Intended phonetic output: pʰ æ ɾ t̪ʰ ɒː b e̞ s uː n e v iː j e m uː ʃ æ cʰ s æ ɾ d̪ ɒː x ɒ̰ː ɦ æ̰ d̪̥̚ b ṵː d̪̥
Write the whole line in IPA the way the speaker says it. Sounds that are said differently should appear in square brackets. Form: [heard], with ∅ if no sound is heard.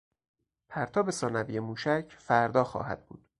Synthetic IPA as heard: pʰ æ ɾ t̪ʰ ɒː b e̞ s [ɒː] n [æ] v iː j e m uː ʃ æ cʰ [f] æ ɾ d̪ ɒː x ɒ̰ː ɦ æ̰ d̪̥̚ b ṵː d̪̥